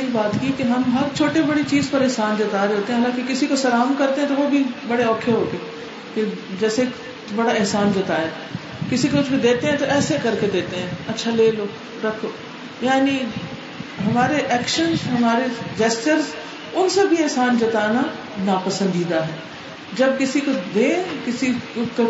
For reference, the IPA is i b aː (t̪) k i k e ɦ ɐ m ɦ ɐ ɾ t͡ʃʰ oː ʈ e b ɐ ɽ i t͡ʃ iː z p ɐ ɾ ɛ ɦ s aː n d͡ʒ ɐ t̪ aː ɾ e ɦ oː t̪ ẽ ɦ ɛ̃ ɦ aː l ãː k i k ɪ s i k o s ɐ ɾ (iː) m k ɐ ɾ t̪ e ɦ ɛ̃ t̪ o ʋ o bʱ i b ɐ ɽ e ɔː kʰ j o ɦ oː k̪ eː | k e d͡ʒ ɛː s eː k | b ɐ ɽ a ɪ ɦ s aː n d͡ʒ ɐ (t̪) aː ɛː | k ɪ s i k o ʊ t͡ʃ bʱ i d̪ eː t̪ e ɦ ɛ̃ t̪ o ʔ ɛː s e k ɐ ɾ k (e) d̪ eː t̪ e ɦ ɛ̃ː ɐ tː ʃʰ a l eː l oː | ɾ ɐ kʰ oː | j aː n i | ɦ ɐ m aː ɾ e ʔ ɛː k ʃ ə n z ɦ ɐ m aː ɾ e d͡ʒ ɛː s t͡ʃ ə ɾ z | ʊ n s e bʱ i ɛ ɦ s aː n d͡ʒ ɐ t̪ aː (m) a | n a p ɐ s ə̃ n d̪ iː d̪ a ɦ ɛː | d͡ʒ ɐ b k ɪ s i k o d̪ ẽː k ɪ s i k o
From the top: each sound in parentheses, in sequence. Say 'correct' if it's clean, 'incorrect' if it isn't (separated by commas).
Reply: correct, incorrect, correct, correct, incorrect